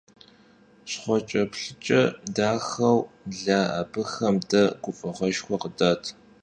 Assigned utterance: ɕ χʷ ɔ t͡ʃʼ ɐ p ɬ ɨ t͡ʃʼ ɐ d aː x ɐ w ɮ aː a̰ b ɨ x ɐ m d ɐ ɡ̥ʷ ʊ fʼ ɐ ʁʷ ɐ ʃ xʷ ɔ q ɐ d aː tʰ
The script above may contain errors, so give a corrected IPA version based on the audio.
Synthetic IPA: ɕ χʷ ɔ t͡ʃʼ ɐ p ɬ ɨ t͡ʃʼ ɐ d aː x ɐ w ɮ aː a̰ b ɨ x ɐ m d ɐ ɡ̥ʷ ʊ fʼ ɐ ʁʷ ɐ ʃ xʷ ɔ q ə d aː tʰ

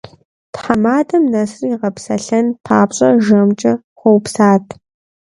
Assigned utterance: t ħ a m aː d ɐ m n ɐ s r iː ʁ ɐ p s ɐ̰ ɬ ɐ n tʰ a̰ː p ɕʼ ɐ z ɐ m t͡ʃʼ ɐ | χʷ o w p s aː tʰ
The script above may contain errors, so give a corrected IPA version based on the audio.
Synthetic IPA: t ħ a m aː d ɐ m n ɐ s r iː ʁ ɐ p s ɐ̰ ɬ ɐ n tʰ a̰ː p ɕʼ ɐ ʒ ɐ m t͡ʃʼ ɐ | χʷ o w p s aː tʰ

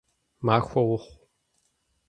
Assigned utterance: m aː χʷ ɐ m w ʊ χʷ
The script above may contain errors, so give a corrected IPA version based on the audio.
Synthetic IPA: m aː xʷ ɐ w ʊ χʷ

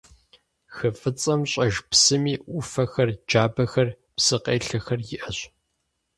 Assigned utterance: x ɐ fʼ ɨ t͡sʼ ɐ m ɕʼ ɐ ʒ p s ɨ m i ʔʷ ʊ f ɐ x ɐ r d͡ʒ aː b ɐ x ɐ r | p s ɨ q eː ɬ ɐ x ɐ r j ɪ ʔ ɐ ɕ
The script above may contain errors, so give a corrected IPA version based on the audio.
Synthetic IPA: x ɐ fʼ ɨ t͡sʼ ɐ m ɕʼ ɐ ʒ p s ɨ m iː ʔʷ ʊ f ɐ x ɐ r d͡ʒ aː b ɐ x ɐ r | p s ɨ q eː ɬ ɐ x ɐ r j ɪ ʔ ɐ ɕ

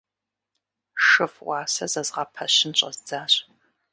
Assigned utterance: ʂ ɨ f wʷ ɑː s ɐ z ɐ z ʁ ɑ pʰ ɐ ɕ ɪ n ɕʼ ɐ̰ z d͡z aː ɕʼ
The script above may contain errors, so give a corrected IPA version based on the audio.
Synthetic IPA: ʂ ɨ f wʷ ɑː s ɐ z ɐ z ʁ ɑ pʰ ɐ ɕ ɪ n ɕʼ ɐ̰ z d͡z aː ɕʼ

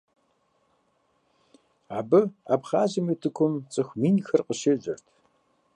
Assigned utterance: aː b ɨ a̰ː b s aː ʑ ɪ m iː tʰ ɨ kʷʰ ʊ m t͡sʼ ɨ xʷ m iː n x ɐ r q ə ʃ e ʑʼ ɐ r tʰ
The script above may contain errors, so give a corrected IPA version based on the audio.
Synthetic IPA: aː b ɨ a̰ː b χ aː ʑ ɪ m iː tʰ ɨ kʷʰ ʊ m t͡sʼ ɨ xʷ m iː n x ɐ r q ə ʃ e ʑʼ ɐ r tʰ

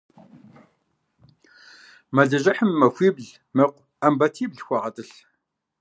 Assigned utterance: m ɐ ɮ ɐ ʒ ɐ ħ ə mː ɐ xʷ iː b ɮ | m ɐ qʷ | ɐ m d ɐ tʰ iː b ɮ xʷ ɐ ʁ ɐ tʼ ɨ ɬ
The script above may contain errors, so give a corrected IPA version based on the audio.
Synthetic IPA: m ɐ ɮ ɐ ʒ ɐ ħ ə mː ɐ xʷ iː b ɮ | m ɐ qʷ | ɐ m b ɐ tʰ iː b ɮ xʷ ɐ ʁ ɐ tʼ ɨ ɬ

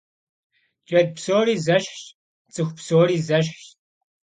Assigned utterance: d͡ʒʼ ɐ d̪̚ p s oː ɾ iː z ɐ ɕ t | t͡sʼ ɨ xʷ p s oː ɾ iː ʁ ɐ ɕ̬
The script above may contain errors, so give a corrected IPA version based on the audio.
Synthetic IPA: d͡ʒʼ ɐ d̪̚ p s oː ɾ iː z ɐ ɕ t | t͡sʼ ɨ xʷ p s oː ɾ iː z ɐ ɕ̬

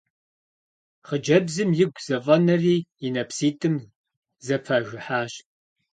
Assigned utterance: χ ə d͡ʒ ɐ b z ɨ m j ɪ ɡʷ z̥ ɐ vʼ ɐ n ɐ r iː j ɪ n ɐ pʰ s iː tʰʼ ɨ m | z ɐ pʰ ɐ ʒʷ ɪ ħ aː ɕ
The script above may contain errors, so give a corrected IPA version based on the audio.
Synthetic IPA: χ ə d͡ʒ ɐ b z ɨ m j ɪ ɡʷ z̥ ɐ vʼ ɐ n ɐ r iː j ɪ n ɐ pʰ s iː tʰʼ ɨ m | z ɐ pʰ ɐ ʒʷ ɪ ħ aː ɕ

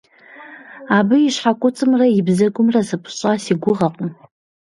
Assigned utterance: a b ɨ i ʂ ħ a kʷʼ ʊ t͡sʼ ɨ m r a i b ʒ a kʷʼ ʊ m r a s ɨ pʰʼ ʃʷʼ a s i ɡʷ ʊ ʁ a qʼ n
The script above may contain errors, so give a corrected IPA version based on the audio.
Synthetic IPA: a b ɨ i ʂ ħ a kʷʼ ʊ t͡sʼ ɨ m r a i b z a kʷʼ ʊ m r a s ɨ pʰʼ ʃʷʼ a s i ɡʷ ʊ ʁ a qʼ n

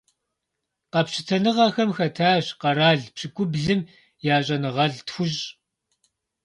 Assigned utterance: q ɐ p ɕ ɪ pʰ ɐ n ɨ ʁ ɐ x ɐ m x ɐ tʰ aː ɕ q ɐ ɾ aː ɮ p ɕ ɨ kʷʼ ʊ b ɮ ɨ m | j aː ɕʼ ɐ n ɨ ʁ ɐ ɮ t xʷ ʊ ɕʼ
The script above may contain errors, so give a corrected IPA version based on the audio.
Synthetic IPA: q ɐ p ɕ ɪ tʰ ɐ n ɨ ʁ ɐ x ɐ m x ɐ tʰ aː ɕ q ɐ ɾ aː ɮ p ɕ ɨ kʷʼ ʊ b ɮ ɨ m | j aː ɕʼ ɐ n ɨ ʁ ɐ ɮ t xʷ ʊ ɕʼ

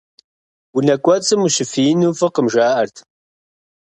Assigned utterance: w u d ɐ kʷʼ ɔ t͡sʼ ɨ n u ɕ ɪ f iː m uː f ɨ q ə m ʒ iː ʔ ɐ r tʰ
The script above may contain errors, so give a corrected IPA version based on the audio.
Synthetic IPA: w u n ɐ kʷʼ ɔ t͡sʼ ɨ m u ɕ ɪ f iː n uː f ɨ q ə m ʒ aː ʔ ɐ r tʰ

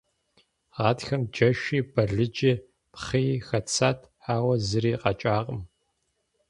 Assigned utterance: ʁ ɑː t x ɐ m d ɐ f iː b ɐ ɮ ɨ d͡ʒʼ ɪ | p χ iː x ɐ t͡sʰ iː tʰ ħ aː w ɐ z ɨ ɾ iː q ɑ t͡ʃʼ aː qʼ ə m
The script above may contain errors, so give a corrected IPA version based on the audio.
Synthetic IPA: ʁ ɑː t x ɐ m d͡ʒ ɐ ʃ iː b ɐ ɮ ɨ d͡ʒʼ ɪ | p χ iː x ɐ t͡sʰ aː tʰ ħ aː w ɐ z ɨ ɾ iː q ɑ t͡ʃʼ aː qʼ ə m

